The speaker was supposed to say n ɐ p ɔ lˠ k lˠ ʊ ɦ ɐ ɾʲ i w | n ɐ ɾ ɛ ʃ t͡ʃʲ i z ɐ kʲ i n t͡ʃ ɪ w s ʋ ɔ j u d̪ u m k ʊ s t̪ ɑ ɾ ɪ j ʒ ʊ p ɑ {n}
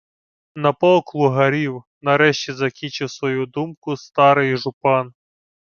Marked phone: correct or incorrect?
correct